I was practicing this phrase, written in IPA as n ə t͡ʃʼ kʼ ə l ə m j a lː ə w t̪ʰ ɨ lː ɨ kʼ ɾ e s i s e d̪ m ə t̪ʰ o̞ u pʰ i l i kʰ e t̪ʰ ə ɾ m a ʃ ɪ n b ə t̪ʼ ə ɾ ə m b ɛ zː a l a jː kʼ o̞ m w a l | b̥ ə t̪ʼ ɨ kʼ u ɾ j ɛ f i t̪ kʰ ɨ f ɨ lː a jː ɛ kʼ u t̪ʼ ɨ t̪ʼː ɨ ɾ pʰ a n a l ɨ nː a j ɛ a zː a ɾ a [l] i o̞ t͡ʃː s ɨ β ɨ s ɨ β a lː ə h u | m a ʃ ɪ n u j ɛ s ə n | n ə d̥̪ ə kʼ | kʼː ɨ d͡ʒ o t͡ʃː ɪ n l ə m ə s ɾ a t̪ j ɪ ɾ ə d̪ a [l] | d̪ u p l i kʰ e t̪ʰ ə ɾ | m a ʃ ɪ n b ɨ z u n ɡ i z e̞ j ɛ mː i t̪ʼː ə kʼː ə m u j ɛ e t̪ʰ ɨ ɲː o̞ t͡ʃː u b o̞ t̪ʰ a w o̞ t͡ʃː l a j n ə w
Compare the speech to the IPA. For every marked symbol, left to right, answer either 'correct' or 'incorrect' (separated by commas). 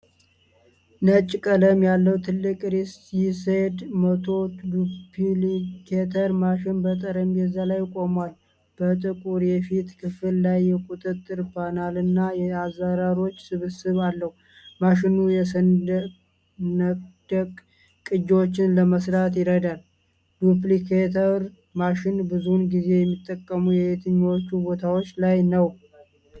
incorrect, correct